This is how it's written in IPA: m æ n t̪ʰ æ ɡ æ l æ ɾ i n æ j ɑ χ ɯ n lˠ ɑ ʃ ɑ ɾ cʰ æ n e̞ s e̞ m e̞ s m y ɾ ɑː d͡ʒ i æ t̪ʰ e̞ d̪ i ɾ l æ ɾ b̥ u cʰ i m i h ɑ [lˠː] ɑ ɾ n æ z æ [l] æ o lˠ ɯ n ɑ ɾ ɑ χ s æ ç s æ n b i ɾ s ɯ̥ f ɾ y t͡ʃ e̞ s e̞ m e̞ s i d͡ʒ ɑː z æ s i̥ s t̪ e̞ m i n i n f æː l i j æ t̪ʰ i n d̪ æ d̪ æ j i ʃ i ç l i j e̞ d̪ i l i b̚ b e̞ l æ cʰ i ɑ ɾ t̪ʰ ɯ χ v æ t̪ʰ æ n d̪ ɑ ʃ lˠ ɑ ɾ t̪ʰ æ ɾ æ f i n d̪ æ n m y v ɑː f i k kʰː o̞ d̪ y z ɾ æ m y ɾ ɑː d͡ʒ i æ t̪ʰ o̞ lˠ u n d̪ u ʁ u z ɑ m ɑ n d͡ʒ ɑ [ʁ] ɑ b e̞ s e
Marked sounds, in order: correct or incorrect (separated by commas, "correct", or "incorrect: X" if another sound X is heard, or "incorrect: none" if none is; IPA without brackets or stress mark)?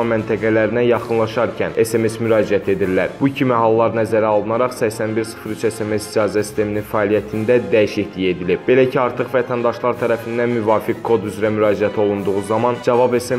correct, incorrect: ɾ, incorrect: v